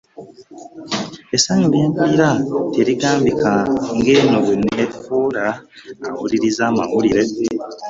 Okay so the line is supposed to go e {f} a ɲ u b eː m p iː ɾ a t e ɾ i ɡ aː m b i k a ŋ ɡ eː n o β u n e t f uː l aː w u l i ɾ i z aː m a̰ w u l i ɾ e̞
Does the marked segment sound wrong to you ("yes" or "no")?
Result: yes